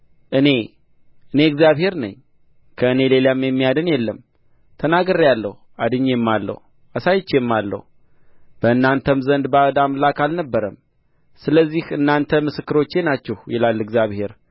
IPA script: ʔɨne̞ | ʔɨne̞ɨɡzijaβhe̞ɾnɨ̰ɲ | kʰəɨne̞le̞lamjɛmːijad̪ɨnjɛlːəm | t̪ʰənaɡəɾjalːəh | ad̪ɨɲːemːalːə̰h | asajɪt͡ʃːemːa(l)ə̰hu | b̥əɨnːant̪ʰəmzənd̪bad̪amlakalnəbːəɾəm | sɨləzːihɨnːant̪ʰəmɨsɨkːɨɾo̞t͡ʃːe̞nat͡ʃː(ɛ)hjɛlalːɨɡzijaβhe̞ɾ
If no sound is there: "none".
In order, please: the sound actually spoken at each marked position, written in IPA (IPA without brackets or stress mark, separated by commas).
lː, ɛ